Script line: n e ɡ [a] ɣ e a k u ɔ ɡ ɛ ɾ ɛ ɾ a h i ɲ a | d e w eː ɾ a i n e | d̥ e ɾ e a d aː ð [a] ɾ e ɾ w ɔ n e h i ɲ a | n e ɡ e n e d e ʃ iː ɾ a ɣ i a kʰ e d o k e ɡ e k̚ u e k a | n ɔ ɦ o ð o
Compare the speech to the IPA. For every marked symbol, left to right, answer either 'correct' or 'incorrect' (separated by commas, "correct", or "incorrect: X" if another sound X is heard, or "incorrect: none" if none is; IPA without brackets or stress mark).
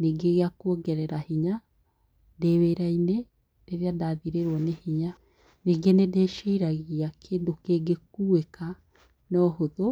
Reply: incorrect: e, incorrect: i